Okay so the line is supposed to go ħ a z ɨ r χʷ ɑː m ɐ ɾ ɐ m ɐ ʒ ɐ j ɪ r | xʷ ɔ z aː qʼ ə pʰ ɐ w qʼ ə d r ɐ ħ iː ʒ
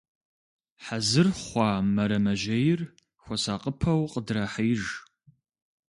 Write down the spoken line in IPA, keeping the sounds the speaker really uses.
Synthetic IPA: ħ a z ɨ r χʷ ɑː m ɐ ɾ ɐ m ɐ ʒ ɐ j ɪ r | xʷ ɔ s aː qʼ ə pʰ ɐ w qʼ ə d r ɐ ħ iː ʒ